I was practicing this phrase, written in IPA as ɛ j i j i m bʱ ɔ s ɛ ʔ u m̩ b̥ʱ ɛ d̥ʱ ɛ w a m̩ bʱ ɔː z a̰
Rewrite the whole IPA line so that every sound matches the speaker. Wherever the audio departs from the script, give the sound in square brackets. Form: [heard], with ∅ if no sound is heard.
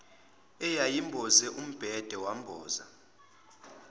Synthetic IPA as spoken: ɛ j [a] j i m bʱ ɔ [z] ɛ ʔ u m̩ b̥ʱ ɛ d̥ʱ ɛ w a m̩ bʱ ɔː z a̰